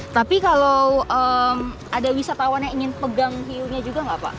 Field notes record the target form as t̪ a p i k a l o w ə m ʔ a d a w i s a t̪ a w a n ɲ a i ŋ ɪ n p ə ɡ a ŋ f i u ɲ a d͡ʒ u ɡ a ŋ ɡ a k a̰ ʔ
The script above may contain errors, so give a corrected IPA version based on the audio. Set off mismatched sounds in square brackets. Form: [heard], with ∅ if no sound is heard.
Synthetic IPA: t̪ a p i k a l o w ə m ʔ a d a w i s a t̪ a w a n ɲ a i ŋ ɪ n p ə ɡ a ŋ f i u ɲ a d͡ʒ u ɡ a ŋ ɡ a [p] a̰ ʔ